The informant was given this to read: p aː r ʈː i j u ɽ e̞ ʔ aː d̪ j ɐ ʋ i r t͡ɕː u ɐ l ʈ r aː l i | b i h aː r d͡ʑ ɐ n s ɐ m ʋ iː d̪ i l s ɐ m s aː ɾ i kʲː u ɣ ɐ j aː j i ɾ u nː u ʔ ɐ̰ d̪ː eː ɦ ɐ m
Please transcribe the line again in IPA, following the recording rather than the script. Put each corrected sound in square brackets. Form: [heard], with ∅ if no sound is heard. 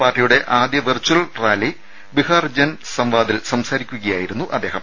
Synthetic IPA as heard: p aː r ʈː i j u ɽ e̞ ʔ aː d̪ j ɐ ʋ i r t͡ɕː u ɐ l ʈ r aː l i | b i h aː r d͡ʑ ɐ n s ɐ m ʋ [aː] d̪ i l s ɐ m s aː ɾ i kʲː u ɣ ɐ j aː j i ɾ u nː u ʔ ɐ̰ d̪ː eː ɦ ɐ m